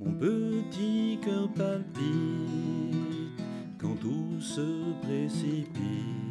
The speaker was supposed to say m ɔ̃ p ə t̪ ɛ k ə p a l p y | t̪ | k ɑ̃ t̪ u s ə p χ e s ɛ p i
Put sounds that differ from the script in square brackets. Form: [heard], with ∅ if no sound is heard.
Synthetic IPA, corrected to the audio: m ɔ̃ p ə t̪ [i] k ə p a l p [i] | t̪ | k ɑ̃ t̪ u s ə p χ e s [i] p i